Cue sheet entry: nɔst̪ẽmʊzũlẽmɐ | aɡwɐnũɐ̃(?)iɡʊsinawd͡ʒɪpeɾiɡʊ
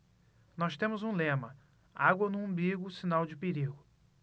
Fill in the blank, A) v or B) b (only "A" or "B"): B